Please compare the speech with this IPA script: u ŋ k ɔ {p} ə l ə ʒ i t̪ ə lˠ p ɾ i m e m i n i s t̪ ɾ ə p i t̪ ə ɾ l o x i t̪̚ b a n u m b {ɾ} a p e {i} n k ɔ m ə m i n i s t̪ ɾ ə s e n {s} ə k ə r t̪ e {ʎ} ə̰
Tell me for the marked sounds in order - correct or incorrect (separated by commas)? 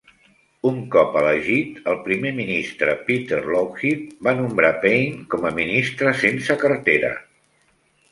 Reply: correct, correct, incorrect, correct, incorrect